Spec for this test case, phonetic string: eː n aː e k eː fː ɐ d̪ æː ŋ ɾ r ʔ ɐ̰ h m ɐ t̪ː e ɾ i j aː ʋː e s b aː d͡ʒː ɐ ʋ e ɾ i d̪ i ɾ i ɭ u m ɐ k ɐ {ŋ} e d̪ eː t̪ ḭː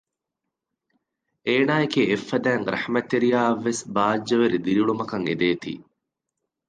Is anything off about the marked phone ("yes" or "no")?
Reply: no